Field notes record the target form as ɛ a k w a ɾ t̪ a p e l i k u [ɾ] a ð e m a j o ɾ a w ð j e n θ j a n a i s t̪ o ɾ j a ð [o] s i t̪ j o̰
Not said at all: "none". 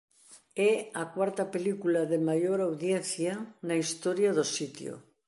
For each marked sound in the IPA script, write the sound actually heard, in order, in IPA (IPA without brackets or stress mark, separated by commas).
l, o